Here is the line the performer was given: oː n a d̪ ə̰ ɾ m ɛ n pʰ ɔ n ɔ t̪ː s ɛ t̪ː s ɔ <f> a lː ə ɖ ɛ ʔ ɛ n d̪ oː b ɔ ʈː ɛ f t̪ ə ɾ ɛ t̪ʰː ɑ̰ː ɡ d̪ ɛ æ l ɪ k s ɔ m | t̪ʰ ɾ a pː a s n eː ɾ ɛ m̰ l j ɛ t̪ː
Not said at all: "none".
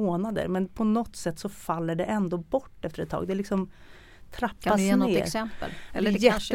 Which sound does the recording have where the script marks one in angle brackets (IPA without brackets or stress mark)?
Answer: f